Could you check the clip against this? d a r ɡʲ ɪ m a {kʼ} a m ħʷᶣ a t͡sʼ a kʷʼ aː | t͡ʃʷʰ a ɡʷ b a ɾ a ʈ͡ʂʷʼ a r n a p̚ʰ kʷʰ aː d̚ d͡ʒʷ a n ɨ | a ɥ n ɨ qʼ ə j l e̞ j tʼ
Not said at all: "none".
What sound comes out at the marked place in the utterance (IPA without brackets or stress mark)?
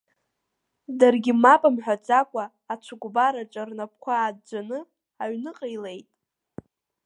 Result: pʼ